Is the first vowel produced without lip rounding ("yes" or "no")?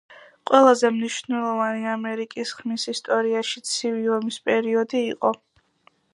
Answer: yes